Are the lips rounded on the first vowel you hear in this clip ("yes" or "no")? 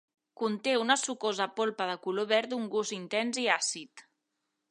yes